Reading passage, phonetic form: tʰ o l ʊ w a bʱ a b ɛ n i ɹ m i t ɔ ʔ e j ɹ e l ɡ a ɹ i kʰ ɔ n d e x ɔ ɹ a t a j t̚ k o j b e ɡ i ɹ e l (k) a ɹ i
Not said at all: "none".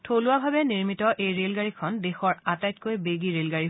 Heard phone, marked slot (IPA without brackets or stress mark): ɡ